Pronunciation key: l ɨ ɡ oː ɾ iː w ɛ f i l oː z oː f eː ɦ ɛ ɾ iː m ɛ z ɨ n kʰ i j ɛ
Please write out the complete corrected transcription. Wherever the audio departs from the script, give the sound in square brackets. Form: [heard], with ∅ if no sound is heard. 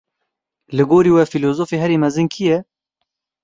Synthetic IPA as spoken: l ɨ ɡ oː ɾ iː w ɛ f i l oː z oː f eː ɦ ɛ ɾ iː m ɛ z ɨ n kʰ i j ɛ